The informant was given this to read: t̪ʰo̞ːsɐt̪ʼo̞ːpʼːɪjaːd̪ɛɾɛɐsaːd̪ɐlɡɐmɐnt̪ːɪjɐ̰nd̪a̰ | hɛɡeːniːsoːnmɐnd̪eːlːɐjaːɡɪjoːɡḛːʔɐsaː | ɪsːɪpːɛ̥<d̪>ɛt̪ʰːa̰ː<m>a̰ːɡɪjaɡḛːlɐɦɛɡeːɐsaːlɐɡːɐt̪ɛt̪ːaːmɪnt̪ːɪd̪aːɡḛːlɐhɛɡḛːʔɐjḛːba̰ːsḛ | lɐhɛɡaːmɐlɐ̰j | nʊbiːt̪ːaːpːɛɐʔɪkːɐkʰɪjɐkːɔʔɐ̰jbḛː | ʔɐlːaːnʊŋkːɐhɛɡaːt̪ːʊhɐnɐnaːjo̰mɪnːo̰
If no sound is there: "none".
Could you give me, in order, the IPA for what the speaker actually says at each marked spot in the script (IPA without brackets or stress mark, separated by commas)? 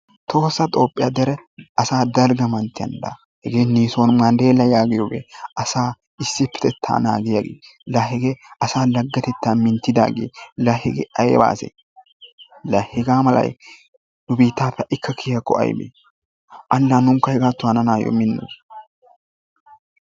t̪, n